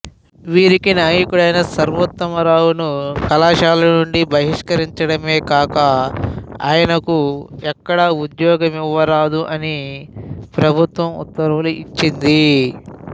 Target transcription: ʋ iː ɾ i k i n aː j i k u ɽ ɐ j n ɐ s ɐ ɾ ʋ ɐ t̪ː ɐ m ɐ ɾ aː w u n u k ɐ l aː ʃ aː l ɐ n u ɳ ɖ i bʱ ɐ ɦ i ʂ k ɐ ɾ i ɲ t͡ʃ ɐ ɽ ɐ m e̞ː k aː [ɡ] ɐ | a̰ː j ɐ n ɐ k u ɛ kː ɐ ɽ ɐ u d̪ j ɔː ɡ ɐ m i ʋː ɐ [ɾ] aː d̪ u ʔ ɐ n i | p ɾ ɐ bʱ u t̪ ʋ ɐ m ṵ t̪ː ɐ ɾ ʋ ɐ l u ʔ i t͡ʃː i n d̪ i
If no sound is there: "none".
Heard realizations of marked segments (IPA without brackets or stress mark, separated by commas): k, ɾ